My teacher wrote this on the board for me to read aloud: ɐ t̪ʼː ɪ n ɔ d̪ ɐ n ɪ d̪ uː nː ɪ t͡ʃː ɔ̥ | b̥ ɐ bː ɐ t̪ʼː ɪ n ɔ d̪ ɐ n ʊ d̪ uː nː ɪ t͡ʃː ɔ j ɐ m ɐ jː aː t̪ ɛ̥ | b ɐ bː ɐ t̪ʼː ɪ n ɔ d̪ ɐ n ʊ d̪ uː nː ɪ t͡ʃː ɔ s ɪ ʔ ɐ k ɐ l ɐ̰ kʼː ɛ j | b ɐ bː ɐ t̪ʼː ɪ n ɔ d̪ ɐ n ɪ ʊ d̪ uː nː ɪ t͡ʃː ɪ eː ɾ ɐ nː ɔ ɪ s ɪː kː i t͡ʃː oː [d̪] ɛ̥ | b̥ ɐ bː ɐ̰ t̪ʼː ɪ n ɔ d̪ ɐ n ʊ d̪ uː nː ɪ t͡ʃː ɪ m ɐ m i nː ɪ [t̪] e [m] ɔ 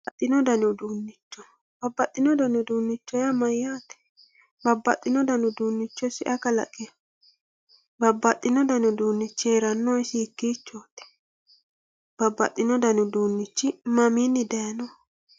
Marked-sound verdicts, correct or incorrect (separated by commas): incorrect, incorrect, incorrect